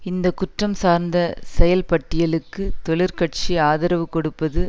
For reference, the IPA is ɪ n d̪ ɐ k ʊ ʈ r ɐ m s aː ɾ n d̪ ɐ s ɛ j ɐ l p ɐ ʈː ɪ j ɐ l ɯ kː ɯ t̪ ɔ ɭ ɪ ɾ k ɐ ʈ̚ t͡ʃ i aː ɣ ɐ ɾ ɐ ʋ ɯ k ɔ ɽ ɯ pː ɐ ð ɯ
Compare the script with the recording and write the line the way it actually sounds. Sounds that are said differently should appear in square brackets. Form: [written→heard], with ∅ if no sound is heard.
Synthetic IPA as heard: ɪ n d̪ ɐ k ʊ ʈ r ɐ m s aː ɾ n d̪ ɐ s ɛ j ɐ l p ɐ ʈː ɪ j ɐ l ɯ kː ɯ t̪ ɔ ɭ ɪ ɾ k ɐ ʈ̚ t͡ʃ i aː [ɣ→ð] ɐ ɾ ɐ ʋ ɯ k ɔ ɽ ɯ pː ɐ ð ɯ